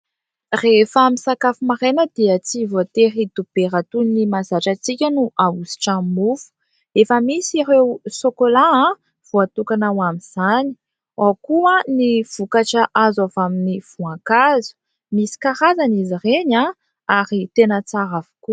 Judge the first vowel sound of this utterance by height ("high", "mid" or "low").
mid